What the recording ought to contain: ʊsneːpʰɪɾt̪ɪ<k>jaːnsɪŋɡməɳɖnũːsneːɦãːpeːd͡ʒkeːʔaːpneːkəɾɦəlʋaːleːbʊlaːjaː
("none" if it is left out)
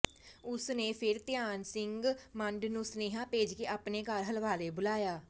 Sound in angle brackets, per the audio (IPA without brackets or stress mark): none